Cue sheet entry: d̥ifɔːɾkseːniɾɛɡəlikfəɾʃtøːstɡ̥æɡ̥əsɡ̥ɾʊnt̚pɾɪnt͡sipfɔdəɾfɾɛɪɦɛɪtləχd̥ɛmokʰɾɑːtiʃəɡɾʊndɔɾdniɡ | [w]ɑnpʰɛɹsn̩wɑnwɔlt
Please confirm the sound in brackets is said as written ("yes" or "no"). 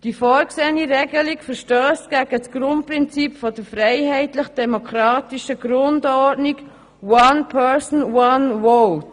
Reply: yes